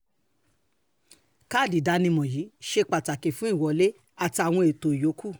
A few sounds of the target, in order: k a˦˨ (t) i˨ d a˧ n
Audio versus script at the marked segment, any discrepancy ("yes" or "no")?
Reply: yes